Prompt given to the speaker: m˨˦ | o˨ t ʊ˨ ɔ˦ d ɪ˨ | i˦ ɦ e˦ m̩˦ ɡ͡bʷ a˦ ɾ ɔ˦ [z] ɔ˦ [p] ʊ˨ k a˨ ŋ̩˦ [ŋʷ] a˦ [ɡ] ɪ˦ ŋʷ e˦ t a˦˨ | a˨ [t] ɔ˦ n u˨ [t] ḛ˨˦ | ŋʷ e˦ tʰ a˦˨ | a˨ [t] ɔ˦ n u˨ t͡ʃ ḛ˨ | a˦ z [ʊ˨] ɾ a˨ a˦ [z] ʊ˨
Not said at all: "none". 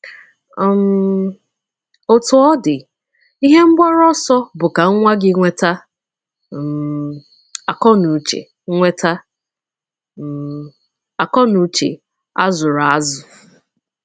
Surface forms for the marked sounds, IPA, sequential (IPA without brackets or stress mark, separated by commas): s, b, ŋʷ, ɡ, k, t͡ʃ, k, ʊ˨, z